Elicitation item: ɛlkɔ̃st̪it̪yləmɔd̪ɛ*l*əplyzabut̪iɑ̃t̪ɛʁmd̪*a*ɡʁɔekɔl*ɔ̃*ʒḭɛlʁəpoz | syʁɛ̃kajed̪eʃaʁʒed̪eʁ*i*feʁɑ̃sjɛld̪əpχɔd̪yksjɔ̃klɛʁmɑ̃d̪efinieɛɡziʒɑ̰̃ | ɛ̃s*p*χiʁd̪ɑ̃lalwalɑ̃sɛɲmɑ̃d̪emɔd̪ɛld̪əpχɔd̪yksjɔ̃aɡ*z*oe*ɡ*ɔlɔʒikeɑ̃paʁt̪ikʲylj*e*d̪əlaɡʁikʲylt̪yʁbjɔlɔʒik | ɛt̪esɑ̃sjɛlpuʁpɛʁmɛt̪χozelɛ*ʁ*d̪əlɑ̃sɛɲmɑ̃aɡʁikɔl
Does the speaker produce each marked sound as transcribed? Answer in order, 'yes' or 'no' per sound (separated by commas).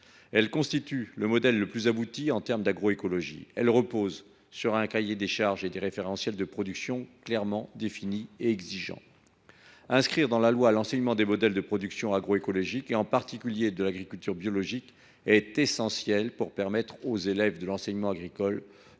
no, yes, no, no, no, no, no, yes, no